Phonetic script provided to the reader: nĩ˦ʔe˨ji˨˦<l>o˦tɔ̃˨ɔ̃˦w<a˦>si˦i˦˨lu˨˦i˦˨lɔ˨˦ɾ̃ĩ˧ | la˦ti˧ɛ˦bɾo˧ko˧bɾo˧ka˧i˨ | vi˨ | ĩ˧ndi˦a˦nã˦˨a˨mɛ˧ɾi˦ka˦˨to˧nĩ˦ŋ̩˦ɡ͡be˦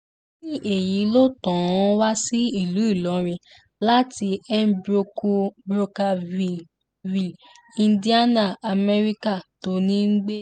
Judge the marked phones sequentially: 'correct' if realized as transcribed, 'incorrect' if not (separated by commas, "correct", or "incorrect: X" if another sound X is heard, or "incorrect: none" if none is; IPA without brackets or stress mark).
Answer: correct, correct